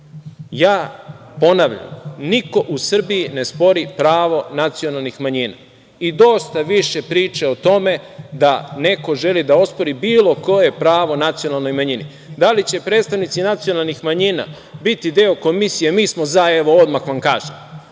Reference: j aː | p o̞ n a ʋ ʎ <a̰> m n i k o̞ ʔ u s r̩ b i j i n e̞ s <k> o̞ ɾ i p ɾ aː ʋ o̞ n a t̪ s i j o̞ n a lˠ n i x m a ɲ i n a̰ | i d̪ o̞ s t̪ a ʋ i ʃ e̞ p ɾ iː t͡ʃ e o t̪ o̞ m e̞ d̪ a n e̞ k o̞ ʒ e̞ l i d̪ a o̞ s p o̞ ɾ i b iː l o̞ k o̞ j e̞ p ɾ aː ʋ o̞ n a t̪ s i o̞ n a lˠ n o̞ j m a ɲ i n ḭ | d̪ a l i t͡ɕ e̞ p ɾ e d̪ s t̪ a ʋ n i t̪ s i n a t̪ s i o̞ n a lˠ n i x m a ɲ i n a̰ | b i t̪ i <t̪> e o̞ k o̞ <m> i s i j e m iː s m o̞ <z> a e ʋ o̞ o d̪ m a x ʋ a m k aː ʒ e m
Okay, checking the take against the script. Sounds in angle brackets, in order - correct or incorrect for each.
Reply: correct, incorrect, incorrect, correct, correct

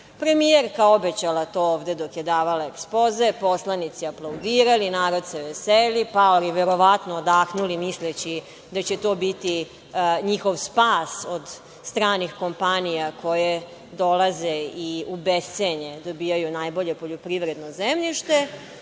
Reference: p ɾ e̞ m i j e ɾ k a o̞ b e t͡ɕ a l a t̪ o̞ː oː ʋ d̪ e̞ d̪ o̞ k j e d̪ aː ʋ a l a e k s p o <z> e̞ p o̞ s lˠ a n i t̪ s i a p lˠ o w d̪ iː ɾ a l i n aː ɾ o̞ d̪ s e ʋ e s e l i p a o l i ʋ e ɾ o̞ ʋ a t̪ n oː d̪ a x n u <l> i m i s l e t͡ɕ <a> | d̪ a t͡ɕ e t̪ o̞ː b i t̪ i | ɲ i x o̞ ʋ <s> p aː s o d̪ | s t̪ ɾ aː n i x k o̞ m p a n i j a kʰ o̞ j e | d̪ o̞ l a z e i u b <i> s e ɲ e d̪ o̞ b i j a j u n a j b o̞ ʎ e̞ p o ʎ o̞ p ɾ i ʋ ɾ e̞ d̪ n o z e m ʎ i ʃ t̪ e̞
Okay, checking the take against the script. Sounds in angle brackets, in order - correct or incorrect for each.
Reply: correct, correct, incorrect, correct, incorrect

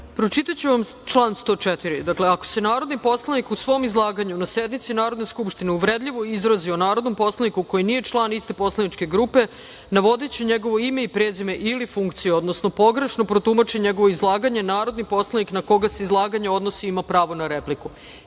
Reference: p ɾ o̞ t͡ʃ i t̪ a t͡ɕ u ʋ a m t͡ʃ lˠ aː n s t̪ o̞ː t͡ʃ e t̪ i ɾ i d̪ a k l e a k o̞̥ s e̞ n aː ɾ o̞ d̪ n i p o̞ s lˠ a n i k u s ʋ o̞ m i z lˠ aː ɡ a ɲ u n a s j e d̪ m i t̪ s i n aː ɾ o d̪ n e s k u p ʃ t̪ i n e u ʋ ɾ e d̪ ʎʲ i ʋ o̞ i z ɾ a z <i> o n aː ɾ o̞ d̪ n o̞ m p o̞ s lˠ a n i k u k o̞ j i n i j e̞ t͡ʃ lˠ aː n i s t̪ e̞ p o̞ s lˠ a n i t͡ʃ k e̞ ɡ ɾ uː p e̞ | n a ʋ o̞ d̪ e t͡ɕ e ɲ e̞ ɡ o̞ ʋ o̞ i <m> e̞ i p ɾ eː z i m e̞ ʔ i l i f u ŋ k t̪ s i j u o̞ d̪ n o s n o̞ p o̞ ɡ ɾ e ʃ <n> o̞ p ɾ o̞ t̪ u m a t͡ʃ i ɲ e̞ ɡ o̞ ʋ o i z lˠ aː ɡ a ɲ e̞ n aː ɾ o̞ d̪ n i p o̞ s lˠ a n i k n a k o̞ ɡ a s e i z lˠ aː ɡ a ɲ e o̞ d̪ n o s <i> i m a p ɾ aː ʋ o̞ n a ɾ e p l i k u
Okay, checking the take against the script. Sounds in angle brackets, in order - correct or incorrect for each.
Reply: correct, correct, correct, correct

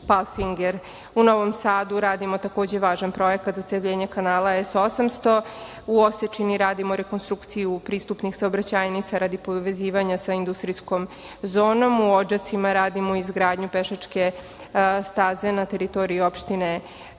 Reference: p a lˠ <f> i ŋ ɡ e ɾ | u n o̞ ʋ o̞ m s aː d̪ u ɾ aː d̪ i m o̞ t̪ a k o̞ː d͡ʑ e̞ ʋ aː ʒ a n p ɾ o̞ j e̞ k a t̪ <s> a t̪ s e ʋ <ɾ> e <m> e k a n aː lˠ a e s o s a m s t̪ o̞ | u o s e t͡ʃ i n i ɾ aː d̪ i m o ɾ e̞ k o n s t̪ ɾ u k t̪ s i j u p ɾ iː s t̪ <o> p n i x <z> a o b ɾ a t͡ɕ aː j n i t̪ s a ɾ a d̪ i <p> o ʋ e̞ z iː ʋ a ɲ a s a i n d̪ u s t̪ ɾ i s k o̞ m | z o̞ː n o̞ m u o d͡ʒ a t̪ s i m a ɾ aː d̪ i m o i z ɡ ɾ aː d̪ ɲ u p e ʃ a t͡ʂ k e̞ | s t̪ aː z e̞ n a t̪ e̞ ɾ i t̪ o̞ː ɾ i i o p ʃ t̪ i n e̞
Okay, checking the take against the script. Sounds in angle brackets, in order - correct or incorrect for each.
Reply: correct, incorrect, incorrect, incorrect, incorrect, incorrect, correct

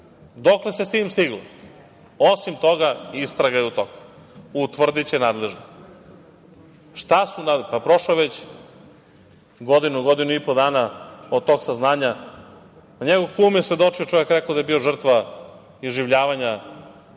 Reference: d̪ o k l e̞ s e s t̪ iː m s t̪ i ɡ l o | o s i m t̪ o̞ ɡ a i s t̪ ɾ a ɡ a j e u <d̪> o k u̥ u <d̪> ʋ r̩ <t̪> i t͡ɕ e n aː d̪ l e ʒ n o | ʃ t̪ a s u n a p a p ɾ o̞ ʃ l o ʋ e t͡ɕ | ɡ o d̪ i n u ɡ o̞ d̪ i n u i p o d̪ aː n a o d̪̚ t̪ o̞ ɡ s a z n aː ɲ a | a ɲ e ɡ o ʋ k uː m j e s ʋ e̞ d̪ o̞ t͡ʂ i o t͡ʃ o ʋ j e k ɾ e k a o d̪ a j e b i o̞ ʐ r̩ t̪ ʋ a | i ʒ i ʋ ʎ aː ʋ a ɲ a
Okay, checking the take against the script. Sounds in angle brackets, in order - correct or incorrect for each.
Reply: incorrect, incorrect, incorrect

